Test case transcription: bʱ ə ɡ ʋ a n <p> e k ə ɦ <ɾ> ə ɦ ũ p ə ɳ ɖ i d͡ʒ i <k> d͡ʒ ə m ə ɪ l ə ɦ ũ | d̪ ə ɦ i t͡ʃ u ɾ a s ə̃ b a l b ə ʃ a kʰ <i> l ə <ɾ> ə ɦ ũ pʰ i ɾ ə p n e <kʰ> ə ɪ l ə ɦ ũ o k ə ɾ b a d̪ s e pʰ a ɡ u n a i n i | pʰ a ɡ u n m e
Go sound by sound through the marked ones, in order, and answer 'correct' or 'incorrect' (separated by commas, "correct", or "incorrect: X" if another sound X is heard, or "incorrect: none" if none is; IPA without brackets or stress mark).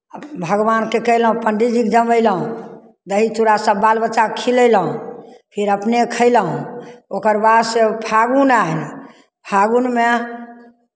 incorrect: k, incorrect: l, correct, correct, incorrect: l, correct